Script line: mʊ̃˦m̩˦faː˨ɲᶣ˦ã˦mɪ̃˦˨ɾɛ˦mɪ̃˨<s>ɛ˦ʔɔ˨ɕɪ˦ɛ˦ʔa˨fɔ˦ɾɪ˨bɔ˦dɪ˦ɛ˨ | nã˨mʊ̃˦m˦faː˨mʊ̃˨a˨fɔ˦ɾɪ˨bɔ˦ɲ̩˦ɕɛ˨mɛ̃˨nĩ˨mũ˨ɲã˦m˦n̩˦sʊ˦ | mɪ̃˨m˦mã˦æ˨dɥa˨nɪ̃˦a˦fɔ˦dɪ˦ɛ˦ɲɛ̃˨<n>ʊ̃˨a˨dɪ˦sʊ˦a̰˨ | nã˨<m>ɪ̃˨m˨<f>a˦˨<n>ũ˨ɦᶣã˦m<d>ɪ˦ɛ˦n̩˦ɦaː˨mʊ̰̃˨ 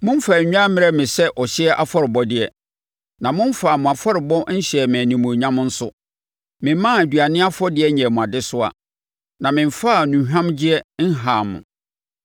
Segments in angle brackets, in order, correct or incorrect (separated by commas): correct, incorrect, correct, correct, correct, incorrect